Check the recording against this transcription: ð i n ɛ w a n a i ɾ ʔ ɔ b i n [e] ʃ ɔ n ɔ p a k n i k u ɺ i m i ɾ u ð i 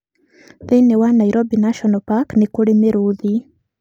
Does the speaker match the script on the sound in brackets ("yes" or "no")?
no